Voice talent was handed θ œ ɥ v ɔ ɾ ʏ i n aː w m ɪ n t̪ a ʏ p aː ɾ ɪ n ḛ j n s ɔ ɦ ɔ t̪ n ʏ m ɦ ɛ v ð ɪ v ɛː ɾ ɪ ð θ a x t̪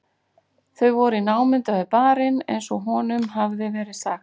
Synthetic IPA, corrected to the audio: θ œ ɥ v ɔ ɾ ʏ i n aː w m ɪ n t̪ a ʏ p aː ɾ ɪ n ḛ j n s ɔ ɦ ɔ n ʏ m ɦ a v ð ɪ v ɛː ɾ ɪ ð s a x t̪